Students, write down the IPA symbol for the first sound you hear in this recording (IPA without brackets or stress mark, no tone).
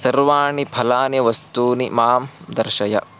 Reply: s